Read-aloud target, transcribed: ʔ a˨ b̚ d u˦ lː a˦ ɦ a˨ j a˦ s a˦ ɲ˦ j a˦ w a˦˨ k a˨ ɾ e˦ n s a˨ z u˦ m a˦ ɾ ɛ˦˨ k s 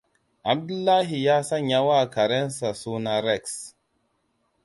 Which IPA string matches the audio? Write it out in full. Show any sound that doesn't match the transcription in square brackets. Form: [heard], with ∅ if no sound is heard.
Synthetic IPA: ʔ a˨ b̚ d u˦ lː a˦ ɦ [i˨] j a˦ s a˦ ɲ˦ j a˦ w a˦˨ k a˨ ɾ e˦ n s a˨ [s] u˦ [n] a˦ ɾ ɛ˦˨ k s